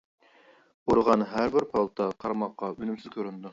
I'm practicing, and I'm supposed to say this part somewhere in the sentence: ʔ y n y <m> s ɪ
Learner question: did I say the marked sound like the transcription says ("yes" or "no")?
yes